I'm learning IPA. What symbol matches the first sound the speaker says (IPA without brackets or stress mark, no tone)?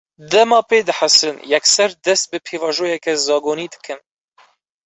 d̪